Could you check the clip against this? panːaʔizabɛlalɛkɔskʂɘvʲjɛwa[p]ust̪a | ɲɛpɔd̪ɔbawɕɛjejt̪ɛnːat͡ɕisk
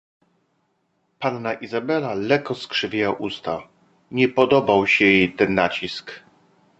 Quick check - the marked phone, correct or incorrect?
incorrect